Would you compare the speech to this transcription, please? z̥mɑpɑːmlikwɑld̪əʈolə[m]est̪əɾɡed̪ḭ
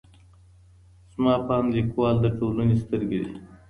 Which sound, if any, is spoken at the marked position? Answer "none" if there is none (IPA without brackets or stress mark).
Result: n